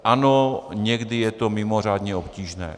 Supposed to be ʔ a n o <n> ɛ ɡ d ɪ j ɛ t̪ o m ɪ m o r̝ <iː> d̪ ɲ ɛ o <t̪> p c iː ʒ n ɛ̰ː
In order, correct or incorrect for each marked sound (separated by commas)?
incorrect, incorrect, incorrect